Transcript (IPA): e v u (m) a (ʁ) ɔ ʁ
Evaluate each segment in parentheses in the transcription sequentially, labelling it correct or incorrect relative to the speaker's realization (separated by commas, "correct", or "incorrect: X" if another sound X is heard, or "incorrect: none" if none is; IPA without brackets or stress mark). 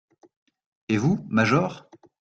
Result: correct, incorrect: ʒ